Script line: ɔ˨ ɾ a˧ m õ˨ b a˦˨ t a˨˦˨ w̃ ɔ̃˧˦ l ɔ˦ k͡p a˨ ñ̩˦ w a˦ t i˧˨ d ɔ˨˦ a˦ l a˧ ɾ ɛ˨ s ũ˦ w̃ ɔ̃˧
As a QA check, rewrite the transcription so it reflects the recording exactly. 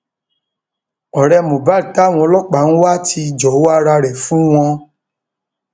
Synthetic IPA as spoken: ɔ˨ ɾ ɛ˧ m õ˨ b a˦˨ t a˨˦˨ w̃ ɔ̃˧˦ l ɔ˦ k͡p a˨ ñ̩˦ w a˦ t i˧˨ d͡ʒ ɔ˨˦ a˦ ɾ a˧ ɾ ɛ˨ f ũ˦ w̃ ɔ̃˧